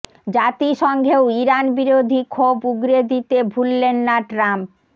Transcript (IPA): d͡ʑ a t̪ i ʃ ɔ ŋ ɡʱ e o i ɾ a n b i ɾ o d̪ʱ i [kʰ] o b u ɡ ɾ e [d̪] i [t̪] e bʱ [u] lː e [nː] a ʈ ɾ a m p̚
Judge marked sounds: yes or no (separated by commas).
yes, yes, yes, yes, yes